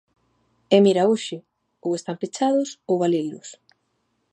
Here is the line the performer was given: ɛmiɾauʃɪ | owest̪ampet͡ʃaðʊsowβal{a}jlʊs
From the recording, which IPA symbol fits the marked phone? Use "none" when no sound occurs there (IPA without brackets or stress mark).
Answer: e